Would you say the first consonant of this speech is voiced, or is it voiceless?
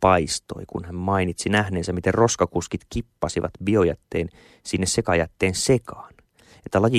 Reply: voiceless